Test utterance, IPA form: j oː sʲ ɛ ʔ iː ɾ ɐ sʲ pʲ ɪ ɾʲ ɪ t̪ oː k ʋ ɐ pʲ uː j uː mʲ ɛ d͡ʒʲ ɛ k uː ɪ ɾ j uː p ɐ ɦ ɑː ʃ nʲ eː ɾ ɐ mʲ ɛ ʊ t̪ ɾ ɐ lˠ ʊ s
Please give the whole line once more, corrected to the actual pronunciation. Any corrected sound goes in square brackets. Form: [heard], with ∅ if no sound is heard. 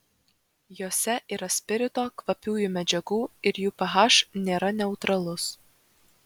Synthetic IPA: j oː sʲ ɛ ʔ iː ɾ ɐ sʲ pʲ ɪ ɾʲ ɪ t̪ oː k ʋ ɐ pʲ uː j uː mʲ ɛ d͡ʒʲ ɛ [ɡ] uː ɪ ɾ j uː p ɐ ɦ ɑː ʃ nʲ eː ɾ ɐ [nʲ] ɛ ʊ t̪ ɾ ɐ lˠ ʊ s